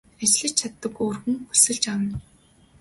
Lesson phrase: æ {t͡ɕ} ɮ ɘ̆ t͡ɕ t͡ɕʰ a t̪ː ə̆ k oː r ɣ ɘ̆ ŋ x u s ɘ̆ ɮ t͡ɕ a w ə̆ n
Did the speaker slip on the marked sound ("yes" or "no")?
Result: no